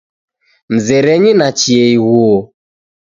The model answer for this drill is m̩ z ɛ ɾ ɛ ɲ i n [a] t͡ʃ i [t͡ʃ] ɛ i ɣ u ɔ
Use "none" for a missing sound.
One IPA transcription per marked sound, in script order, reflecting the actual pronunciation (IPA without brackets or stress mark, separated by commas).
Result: a, none